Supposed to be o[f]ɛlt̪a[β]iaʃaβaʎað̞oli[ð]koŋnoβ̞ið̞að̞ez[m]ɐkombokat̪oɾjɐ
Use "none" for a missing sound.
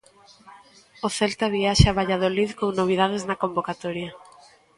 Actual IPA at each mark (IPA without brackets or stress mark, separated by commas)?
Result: θ, β, ð, n